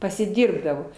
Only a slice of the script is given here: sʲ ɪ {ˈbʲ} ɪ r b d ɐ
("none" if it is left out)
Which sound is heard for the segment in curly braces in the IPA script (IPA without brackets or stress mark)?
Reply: dʲ